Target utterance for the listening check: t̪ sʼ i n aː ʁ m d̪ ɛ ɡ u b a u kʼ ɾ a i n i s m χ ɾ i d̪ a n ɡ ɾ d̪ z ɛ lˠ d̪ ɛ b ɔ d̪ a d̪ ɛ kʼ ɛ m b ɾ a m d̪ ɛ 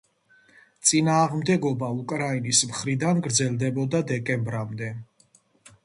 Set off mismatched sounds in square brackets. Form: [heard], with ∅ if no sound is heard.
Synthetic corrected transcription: t̪ sʼ i n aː ʁ m d̪ ɛ ɡ [ɔ] b a u kʼ ɾ a i n i s m χ ɾ i d̪ a n ɡ ɾ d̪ z ɛ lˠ d̪ ɛ b ɔ d̪ a d̪ ɛ kʼ ɛ m b ɾ a m d̪ ɛ